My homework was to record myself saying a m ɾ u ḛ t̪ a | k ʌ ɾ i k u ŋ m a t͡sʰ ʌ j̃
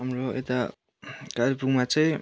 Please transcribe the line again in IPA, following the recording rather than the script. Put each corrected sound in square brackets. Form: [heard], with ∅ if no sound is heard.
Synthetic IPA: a m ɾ [o] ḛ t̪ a | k [a] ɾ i [p] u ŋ m a [t͡s] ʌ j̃